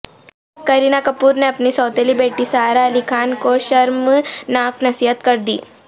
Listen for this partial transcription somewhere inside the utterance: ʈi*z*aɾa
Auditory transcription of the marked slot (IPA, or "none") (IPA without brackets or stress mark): s